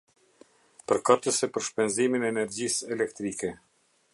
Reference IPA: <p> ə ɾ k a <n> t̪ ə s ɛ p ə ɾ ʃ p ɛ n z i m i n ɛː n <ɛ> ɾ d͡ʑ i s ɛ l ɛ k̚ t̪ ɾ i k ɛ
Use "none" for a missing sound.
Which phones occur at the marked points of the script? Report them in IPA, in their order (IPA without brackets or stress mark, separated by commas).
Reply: p, none, ɛ